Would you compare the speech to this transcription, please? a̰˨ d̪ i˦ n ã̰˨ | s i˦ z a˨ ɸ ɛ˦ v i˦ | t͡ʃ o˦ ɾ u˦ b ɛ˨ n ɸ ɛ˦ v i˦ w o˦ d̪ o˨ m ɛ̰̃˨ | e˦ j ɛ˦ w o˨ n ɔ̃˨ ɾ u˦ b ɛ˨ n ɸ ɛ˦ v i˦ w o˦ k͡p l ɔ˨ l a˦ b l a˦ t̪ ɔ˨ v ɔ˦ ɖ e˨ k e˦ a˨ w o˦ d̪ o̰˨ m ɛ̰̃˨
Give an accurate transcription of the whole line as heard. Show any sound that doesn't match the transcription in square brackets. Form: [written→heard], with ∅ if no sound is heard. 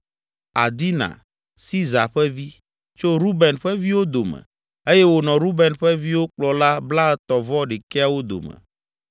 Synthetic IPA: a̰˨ d̪ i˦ n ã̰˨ | s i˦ z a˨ ɸ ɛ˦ v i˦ | t͡ʃ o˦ ɾ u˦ b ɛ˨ n ɸ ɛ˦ v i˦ w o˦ d̪ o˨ m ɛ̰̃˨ | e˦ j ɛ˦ w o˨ n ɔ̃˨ ɾ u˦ b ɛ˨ n ɸ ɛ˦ v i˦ w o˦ k͡p l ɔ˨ l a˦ b l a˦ t̪ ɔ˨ v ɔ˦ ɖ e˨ k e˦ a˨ w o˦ d̪ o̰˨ m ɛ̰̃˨